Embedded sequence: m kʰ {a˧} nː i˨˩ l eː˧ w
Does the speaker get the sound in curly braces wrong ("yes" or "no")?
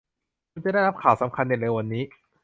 no